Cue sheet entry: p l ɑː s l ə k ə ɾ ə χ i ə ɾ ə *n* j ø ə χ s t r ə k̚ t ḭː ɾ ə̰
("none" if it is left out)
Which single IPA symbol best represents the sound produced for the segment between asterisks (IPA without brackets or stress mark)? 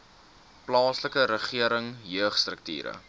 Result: ŋ